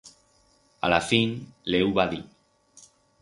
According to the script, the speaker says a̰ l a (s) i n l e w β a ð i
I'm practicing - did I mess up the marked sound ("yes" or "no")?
yes